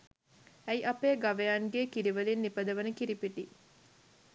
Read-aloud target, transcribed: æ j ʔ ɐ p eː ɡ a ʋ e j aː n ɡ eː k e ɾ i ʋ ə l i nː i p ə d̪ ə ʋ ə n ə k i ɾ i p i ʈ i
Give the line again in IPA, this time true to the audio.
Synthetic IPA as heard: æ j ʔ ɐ p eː ɡ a ʋ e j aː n ɡ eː k i ɾ i ʋ ə l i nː i p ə d̪ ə ʋ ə n ə k i ɾ i p i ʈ i